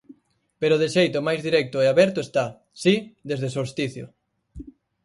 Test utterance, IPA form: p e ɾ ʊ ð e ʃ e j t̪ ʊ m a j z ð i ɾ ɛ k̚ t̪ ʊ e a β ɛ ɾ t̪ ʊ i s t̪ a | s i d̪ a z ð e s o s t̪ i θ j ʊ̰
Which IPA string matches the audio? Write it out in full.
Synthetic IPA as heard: p e ɾ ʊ ð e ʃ e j t̪ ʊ m a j z ð i ɾ ɛ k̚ t̪ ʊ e a β ɛ ɾ t̪ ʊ e s t̪ a | s i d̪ e z ð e s o s t̪ i θ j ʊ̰

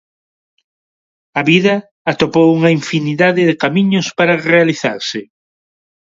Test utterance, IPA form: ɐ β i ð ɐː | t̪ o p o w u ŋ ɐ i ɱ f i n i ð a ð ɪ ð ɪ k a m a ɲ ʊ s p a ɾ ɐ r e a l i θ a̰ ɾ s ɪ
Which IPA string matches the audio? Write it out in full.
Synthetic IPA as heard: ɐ β i ð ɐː | t̪ o p o w u ŋ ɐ i ɱ f i n i ð a ð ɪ ð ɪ k a m i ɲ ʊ s p a ɾ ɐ r e a l i θ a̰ ɾ s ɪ

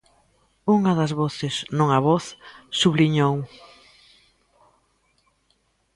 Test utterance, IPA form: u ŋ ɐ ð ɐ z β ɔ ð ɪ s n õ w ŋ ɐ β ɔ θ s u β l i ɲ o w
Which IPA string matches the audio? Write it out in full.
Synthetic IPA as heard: u ŋ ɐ ð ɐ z β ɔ θ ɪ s n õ ŋ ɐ β ɔ θ s u β l i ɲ o w

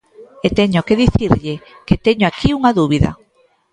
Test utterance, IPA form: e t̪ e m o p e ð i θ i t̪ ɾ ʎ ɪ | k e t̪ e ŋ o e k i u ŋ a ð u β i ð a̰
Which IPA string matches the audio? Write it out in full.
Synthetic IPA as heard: e t̪ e ɲ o k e ð i θ i ɾ ʎ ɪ | k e t̪ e ɲ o a k i u ŋ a ð u β i ð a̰

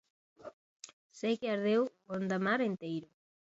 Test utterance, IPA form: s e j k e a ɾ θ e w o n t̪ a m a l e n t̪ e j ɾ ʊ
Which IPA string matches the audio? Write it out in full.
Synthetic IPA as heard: s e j k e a ɾ ð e w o n d̪ a m a ɾ e n t̪ e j ɾ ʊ

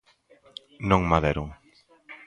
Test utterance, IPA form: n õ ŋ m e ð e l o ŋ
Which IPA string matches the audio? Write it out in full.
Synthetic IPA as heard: n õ ŋ m a ð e ɾ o ŋ

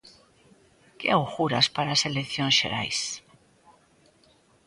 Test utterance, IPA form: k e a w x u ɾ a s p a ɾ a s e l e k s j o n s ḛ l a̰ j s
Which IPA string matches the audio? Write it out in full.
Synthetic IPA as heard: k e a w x u ɾ a s p a ɾ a s e l e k θ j o n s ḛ ɾ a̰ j s

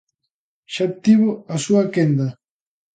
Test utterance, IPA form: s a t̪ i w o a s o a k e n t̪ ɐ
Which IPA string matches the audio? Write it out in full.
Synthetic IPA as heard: ʃ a t̪ i β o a s u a k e n d̪ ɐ

